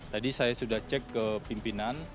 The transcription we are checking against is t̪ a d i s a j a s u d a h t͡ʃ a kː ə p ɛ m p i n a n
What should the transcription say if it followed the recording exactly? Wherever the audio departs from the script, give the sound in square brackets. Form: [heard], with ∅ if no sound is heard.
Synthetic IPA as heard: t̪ a d i s a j a s u d a h t͡ʃ [ɛ] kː ə p [i] m p i n a n